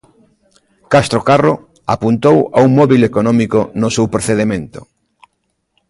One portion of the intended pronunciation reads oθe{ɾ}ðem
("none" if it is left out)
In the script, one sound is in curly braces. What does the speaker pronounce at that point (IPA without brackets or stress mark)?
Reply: none